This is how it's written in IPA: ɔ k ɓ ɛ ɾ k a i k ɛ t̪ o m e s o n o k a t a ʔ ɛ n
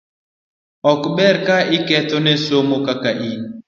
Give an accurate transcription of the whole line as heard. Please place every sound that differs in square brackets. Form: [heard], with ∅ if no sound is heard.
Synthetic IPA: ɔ k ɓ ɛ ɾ k a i k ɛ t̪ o [n] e s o [m] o k a [k] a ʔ [i] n